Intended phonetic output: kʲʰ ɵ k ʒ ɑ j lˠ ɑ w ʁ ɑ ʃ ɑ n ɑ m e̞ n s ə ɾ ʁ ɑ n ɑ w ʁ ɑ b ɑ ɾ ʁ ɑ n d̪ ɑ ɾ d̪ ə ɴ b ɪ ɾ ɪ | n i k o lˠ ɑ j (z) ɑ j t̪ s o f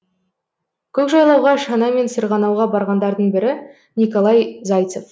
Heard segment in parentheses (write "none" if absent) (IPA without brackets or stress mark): z